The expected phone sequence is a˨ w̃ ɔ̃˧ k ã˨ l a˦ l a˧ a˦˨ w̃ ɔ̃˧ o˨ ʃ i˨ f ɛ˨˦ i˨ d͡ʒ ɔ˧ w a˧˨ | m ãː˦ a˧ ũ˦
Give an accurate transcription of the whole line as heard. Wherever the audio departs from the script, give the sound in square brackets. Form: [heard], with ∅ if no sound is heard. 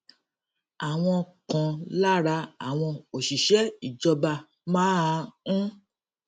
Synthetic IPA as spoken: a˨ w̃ ɔ̃˧ k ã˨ l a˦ [ɾ] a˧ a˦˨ w̃ ɔ̃˧ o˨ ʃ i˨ [ʃ] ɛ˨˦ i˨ d͡ʒ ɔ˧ [b] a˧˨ | m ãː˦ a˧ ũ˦